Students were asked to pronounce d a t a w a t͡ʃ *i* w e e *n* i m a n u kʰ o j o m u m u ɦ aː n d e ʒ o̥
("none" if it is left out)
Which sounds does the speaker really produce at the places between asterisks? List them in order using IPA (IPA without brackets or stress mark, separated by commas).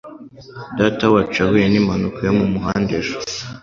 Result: a, n